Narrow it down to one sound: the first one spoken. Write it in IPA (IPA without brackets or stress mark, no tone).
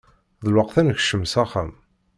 ð